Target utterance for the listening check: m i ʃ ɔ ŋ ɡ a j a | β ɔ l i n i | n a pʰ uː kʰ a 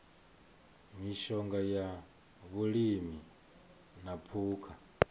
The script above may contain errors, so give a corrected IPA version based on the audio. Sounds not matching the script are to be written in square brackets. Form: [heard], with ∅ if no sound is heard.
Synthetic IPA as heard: m i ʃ ɔ ŋ ɡ a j a | β [u] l i [m] i | n a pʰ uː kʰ a